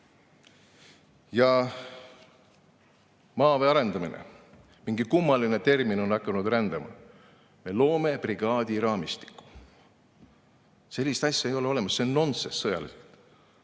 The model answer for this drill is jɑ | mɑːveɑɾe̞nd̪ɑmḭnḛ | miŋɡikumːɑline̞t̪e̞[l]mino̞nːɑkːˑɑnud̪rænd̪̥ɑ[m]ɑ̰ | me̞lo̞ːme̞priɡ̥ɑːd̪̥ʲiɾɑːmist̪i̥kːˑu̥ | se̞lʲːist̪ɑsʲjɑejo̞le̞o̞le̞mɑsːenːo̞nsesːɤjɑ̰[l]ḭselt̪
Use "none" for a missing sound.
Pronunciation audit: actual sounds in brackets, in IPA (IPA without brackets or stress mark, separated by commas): r, m, l